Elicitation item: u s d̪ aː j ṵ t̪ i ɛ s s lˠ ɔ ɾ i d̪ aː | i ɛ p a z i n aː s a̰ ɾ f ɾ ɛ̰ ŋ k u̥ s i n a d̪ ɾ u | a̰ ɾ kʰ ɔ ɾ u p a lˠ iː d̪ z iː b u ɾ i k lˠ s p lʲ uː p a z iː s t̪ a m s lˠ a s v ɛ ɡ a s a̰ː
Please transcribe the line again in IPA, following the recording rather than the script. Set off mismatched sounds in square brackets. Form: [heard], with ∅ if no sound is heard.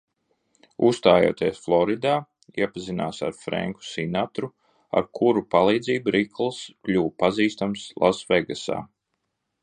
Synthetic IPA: u s [t̪] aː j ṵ t̪ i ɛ s [f] lˠ ɔ ɾ i d̪ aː | i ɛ p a z i n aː s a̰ ɾ f ɾ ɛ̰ ŋ k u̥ s i n a [t̪] ɾ u | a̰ ɾ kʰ [u] ɾ u p a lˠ iː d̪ z iː b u ɾ i k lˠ s [k] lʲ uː p a z iː s t̪ a m s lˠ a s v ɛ ɡ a s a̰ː